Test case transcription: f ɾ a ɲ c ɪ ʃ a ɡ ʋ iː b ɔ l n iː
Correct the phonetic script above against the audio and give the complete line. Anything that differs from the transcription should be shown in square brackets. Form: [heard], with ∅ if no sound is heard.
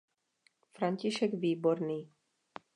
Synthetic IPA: f ɾ a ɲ c [i] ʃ [ɛ] ɡ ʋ iː b ɔ [ɾ] n iː